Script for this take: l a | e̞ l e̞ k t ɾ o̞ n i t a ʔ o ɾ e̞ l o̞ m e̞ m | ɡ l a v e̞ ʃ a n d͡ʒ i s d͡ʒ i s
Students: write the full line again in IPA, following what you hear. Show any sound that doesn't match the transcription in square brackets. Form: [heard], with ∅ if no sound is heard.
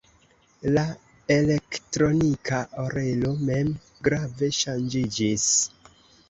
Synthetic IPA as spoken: l a | e̞ l e̞ k t ɾ o̞ n i [k] a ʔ o ɾ e̞ l o̞ m e̞ m | ɡ [ɾ] a v e̞ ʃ a n d͡ʒ i [∅] d͡ʒ i s